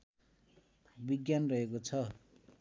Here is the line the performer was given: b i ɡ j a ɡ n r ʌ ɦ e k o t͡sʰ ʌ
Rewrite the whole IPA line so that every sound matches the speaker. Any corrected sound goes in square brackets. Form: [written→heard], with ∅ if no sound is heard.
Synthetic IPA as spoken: b i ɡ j a [ɡ→∅] n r ʌ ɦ e k o t͡sʰ ʌ